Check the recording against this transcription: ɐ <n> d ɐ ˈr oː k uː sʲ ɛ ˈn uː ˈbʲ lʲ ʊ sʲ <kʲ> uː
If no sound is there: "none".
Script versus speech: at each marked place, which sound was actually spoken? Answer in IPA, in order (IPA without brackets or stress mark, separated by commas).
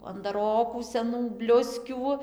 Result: n, kʲ